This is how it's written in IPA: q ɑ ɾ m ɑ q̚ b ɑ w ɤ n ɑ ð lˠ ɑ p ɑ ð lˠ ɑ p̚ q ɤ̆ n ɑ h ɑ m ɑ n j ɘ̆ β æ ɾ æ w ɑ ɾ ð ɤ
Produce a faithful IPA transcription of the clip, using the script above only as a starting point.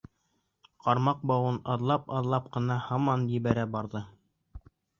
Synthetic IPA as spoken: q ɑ ɾ m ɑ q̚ b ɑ w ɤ n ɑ ð lˠ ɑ p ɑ ð lˠ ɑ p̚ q ɤ̆ n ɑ h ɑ m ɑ n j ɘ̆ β æ ɾ æ b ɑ ɾ ð ɤ